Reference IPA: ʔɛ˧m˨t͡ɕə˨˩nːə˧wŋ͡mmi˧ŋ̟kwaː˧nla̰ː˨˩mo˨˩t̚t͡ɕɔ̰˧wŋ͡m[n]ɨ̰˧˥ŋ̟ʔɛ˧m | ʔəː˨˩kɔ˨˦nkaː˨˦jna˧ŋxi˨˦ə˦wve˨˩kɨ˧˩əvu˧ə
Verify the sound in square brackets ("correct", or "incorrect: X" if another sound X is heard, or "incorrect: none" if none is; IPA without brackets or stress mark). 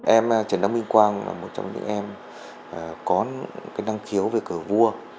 incorrect: ɲ